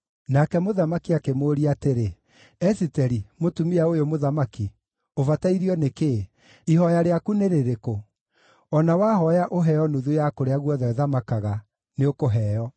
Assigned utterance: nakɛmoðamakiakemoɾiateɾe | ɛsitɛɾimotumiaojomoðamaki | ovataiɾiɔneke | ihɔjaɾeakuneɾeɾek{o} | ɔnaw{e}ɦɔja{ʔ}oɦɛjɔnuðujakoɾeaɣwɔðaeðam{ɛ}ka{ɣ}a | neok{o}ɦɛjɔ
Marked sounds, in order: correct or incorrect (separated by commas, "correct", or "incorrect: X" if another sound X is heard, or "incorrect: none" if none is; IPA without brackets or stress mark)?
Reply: correct, incorrect: a, correct, incorrect: a, correct, correct